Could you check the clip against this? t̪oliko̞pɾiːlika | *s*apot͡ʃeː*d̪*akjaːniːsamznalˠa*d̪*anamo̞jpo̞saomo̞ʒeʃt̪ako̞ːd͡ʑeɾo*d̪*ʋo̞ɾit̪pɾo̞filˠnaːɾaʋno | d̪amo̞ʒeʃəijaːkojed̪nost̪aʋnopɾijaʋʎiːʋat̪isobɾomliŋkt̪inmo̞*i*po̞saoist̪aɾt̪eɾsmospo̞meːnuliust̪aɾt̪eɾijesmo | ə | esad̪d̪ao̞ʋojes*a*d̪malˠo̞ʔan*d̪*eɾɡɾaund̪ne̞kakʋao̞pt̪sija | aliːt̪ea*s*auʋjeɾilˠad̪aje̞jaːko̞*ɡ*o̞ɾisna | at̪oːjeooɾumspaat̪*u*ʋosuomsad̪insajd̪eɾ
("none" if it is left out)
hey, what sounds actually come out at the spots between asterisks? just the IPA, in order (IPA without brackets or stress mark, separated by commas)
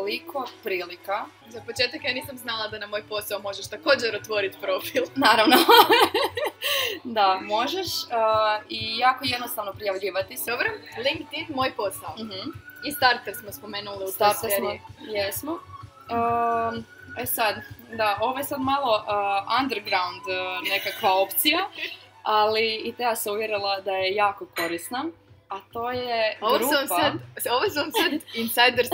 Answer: z, t̪, d̪, t̪, j, a, d̪, s, k, o